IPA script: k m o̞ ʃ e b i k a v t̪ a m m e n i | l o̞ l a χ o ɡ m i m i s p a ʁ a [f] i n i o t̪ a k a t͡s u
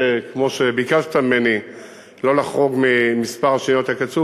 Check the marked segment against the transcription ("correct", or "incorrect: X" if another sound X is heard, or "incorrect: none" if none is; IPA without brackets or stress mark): incorrect: ʃ